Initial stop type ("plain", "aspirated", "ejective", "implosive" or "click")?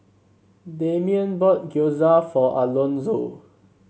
plain